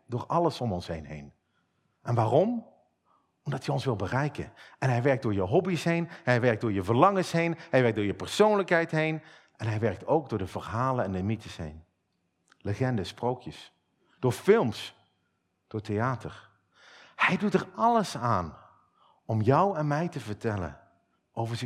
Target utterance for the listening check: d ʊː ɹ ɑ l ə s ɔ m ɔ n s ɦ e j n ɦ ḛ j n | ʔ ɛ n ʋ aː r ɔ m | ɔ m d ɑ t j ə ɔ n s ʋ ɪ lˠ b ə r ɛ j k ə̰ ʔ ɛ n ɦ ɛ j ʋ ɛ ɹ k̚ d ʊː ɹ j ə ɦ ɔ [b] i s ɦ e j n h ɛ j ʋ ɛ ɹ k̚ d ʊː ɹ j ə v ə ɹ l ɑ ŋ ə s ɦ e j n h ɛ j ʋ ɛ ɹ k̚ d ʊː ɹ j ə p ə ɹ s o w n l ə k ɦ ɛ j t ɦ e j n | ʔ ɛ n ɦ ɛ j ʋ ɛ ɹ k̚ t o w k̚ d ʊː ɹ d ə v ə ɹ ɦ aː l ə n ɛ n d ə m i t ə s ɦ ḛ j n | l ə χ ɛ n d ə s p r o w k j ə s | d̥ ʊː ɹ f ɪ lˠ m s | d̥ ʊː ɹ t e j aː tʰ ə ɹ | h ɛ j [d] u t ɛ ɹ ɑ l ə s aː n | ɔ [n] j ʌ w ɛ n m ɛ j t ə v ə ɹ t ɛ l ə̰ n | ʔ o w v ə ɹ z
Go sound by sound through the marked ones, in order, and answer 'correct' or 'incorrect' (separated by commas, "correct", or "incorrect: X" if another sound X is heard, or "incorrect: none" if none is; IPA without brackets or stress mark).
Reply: correct, correct, incorrect: m